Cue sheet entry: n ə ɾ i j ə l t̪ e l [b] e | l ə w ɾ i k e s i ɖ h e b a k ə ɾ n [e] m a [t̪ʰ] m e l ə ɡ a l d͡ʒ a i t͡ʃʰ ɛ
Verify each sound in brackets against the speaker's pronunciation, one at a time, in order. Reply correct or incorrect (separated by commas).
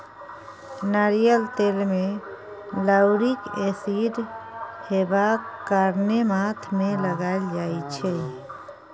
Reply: incorrect, correct, correct